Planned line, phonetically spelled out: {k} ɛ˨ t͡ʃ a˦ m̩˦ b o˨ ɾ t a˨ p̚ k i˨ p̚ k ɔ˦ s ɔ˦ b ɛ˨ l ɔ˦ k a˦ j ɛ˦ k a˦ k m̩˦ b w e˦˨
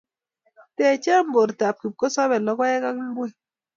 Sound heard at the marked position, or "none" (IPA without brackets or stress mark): t